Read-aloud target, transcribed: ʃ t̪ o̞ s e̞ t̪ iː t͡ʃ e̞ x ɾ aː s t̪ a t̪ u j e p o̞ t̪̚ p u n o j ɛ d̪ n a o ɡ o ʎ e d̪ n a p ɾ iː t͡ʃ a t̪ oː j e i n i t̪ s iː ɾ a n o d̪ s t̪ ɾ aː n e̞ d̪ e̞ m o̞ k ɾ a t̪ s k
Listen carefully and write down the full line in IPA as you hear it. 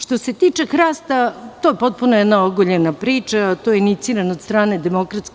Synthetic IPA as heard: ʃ t̪ o̞ s e̞ t̪ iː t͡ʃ e̞ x ɾ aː s t̪ a t̪ o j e p o̞ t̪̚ p u n o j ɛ d̪ n a o ɡ o ʎ e n a p ɾ iː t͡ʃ a t̪ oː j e i n i t̪ s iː ɾ a n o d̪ s t̪ ɾ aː n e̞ d̪ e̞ m o̞ k ɾ a t̪ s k